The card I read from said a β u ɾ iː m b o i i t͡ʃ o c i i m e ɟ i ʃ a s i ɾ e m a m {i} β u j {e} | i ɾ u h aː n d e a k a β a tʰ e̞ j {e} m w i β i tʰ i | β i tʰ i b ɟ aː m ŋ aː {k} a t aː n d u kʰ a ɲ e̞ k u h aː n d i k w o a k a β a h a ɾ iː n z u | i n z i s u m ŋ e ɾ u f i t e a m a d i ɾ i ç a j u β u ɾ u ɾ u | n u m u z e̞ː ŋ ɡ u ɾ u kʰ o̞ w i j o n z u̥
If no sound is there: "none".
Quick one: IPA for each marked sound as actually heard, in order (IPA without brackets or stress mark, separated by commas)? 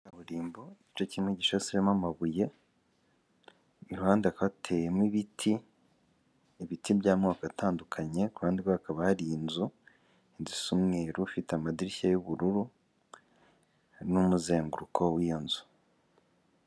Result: a, e, e, k